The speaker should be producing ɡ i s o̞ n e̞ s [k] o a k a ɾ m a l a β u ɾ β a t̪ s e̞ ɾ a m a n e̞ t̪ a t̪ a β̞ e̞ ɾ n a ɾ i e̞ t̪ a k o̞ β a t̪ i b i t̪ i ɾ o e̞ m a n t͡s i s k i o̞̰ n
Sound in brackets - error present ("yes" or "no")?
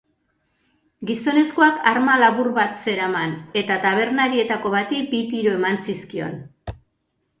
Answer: no